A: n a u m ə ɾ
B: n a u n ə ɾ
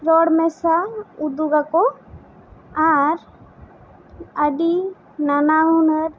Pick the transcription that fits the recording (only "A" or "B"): B